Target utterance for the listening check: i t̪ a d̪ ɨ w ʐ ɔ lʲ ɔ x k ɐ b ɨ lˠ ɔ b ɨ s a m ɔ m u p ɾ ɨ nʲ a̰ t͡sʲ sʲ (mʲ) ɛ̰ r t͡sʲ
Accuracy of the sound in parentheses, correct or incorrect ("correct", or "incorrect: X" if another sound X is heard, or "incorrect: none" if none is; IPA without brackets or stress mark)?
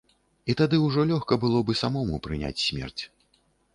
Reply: correct